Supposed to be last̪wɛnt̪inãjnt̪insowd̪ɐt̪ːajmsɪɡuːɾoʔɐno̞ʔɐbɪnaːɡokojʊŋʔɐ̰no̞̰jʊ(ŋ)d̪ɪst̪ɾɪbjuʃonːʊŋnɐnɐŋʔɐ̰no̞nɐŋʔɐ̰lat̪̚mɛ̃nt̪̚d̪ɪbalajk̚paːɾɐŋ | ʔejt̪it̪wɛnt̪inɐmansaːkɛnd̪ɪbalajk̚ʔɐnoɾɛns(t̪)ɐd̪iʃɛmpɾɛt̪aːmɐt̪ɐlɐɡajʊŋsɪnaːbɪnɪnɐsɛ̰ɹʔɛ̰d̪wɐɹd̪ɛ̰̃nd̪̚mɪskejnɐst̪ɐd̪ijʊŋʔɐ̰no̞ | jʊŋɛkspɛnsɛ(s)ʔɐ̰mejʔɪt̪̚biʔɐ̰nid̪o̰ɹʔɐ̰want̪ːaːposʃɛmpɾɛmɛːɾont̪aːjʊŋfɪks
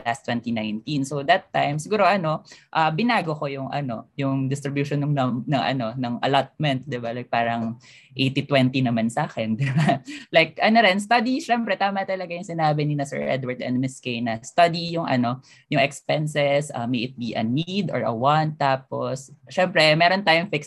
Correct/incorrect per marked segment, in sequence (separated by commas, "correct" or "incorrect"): correct, correct, correct